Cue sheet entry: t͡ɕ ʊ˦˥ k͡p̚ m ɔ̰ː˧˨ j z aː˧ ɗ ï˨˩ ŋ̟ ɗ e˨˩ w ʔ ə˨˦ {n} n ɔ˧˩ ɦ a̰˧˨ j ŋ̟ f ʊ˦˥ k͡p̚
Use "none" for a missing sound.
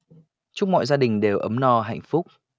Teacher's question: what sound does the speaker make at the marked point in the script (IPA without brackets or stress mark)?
m